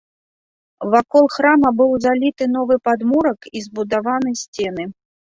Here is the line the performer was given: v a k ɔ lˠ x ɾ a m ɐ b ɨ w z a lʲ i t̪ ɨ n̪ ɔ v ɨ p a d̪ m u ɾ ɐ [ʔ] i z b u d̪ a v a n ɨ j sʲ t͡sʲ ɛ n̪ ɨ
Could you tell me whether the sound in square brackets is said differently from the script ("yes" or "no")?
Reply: yes